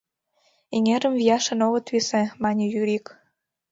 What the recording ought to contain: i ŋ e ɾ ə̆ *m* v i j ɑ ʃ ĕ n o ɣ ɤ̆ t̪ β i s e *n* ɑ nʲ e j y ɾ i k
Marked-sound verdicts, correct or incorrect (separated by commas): correct, incorrect